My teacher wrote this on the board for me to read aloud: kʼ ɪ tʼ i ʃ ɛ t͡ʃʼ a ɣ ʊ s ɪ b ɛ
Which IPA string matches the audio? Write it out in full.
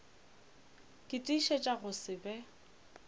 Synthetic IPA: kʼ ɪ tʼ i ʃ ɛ t͡ʃʼ a ɣ ʊ s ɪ b ɛ